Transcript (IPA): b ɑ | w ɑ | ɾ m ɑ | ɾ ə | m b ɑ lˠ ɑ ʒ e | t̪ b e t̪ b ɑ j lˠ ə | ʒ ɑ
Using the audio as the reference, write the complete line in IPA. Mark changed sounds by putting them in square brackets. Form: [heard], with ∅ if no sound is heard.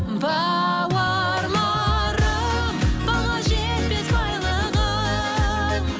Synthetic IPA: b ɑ | w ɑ | ɾ m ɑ | ɾ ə | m b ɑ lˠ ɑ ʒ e | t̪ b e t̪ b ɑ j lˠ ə | [ʁ] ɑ